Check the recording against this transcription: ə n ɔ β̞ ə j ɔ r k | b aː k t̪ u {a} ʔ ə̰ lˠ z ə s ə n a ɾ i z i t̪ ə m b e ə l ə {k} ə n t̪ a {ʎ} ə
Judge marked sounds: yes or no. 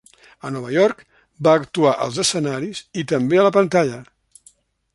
yes, no, yes

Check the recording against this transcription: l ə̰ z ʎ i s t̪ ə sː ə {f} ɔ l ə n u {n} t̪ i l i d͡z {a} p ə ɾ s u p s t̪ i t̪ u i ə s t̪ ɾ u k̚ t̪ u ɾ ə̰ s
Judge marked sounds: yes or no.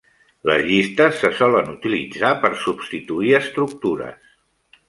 no, no, yes

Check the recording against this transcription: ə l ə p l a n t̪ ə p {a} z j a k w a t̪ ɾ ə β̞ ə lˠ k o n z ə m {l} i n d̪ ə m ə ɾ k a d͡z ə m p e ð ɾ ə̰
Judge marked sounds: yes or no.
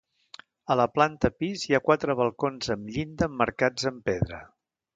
no, no

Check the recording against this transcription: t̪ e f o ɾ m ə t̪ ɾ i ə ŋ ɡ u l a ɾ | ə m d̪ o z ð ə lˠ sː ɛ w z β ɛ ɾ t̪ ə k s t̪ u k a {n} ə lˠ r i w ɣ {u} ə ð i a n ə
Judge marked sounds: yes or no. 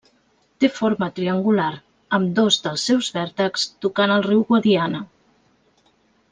yes, no

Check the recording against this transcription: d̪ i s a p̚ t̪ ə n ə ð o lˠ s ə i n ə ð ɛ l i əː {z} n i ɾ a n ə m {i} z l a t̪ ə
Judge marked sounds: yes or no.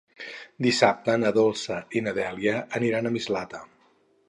no, yes

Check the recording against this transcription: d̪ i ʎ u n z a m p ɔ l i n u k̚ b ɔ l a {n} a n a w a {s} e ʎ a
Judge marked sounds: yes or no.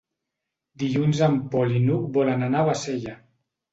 yes, yes

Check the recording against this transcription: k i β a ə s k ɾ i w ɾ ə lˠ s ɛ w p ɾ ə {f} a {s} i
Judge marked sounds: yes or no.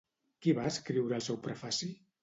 yes, yes

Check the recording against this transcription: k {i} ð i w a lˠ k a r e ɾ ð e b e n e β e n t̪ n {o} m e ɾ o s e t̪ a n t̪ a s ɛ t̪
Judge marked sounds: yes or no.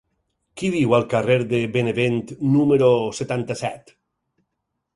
yes, no

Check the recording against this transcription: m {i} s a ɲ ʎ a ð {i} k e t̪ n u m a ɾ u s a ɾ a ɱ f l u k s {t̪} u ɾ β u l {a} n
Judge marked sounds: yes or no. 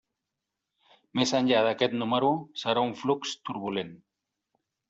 no, no, yes, no

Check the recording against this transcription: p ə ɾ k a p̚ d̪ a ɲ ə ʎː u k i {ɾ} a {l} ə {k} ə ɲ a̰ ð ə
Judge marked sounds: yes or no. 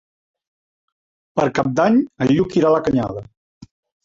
yes, yes, yes

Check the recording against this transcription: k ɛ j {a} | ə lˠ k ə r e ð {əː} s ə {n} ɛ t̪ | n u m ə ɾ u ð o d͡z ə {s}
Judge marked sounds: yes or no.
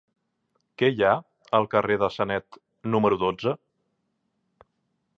yes, no, yes, no

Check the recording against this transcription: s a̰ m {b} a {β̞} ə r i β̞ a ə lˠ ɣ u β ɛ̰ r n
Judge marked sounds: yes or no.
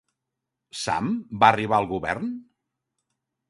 yes, no

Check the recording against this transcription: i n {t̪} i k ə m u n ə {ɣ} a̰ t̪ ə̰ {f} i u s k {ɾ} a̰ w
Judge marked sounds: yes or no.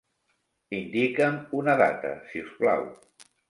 no, no, no, no

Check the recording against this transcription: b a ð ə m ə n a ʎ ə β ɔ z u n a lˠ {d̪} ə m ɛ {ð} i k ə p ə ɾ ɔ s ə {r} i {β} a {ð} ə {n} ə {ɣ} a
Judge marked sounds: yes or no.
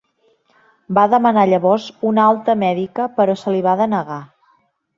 no, yes, no, yes, yes, yes, yes

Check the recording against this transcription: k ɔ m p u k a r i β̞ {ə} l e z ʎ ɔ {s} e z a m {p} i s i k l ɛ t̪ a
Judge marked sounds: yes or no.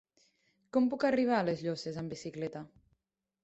no, yes, no

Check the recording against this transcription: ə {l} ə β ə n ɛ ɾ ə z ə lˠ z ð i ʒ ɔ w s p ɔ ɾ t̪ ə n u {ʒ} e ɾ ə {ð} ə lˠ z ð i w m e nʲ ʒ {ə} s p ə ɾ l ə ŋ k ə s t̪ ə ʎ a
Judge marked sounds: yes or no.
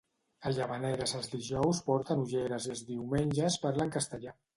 no, yes, no, yes

